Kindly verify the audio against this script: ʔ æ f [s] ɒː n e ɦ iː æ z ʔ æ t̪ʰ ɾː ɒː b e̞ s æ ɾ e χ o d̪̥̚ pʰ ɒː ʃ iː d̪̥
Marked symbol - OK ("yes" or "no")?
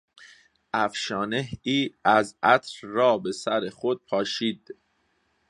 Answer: no